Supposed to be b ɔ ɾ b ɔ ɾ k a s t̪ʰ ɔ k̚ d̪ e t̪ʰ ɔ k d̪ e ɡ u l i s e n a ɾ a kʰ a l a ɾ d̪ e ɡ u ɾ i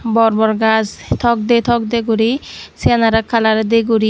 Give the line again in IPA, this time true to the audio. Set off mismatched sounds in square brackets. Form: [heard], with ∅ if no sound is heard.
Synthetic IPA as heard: b ɔ ɾ b ɔ ɾ [ɡ] a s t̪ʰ ɔ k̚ d̪ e t̪ʰ ɔ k d̪ e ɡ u [ɾ] i s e n a ɾ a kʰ a l a ɾ d̪ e ɡ u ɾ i